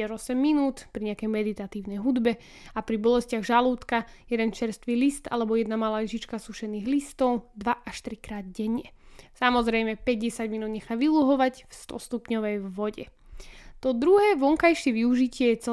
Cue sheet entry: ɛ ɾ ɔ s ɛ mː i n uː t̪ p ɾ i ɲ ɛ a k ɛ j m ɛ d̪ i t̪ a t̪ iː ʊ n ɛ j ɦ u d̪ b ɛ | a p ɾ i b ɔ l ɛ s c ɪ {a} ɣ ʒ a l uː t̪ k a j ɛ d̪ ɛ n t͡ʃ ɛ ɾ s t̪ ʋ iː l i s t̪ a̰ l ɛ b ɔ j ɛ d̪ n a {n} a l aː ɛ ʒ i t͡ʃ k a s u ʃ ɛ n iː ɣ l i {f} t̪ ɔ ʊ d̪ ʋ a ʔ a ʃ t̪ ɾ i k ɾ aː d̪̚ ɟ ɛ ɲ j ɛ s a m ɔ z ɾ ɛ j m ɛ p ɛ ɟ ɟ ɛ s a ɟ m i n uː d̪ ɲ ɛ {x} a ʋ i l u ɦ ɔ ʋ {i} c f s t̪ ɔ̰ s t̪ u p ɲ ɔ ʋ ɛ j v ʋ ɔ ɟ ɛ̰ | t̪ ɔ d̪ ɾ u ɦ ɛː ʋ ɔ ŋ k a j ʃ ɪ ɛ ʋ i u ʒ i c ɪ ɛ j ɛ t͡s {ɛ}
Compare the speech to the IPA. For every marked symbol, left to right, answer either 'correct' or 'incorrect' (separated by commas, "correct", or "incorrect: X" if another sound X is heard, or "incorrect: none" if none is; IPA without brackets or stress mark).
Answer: correct, incorrect: m, incorrect: s, correct, incorrect: a, correct